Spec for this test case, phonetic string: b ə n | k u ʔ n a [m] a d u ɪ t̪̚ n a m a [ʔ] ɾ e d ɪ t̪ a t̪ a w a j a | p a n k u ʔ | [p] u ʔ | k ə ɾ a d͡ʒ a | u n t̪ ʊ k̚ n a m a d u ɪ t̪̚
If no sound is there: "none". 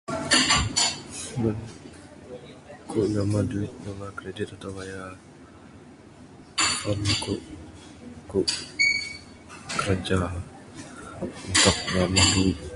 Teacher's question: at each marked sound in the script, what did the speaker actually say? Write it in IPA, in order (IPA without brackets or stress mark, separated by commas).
m, k, k